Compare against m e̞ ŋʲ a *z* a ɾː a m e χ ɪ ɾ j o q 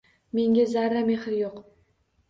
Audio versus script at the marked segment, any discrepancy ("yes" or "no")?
no